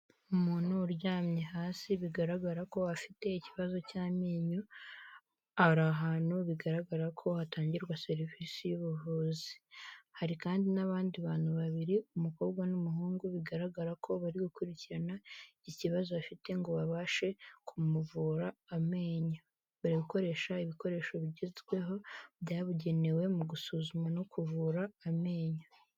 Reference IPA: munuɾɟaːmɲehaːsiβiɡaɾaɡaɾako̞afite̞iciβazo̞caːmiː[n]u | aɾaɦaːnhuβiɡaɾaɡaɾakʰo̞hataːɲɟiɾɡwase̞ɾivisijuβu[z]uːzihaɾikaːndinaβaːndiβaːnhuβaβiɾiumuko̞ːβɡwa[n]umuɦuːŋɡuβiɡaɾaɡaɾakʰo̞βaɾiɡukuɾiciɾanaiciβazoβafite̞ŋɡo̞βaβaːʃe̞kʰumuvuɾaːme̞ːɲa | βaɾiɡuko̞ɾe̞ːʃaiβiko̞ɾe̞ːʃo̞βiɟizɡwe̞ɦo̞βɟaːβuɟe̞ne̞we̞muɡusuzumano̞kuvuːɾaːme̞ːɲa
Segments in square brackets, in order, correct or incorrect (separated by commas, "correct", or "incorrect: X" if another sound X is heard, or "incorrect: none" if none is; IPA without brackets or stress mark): incorrect: ɲ, incorrect: v, correct